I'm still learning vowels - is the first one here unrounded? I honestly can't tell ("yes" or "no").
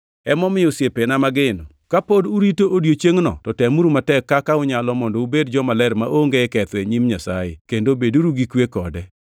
yes